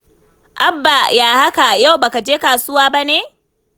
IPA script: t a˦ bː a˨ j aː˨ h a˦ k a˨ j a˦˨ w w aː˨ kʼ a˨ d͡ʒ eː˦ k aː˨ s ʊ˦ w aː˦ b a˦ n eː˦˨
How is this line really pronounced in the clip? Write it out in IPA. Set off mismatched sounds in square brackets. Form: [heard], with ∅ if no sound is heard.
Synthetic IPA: [ʔ] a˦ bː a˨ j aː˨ h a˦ k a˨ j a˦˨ w [b] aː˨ [k] a˨ d͡ʒ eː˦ k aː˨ s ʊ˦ w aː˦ b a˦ n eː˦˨